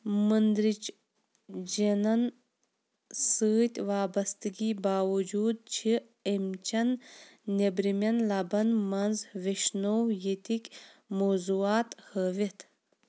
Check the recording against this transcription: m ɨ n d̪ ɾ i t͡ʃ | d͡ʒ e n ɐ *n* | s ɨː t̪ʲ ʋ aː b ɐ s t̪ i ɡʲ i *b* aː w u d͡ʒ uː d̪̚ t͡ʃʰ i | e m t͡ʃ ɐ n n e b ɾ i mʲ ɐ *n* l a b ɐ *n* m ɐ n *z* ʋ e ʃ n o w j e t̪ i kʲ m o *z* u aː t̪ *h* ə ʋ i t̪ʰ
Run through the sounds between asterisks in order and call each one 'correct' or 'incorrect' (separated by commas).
correct, correct, correct, correct, correct, correct, correct